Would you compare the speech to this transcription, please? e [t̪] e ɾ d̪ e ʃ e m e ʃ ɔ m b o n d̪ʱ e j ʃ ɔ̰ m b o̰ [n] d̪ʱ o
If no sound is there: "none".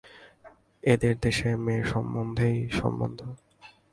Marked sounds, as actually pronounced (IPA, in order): d̪, n

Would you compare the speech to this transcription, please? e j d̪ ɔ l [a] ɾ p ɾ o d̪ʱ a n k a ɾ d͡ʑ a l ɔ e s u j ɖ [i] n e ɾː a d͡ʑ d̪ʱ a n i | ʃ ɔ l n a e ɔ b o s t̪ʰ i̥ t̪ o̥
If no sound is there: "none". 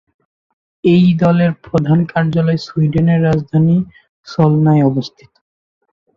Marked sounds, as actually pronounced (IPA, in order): e, e

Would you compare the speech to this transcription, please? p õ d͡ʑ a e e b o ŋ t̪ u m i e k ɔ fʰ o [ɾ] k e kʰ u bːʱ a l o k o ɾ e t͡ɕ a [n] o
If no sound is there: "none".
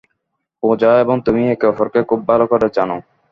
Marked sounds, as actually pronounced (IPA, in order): ɾ, n

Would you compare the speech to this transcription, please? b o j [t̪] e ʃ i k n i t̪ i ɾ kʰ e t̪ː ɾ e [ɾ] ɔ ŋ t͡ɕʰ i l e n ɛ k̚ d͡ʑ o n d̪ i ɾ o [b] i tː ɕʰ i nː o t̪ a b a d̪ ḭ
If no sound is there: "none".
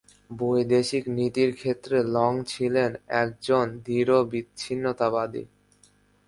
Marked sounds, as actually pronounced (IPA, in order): d̪, l, b

